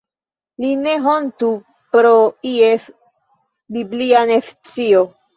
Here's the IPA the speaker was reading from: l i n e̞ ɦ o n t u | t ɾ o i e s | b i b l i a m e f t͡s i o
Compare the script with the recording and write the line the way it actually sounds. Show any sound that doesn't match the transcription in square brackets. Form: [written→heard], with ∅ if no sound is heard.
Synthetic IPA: l i n e̞ ɦ o n t u | [t→p] ɾ o i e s | b i b l i a [m→n] e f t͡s i o